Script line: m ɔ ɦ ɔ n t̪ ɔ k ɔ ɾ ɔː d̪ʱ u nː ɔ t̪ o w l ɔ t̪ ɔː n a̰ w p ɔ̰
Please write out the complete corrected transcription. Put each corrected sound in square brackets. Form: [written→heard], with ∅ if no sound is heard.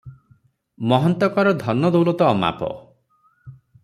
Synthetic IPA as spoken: m ɔ ɦ ɔ n t̪ ɔ k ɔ ɾ [ɔː→ɔ] d̪ʱ [u→ɔ] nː ɔ [t̪→d̪] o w l ɔ t̪ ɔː [n→m] a̰ [w→∅] p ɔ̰